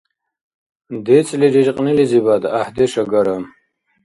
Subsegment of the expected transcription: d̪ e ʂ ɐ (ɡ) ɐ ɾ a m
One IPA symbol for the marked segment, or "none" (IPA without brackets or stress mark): ɡ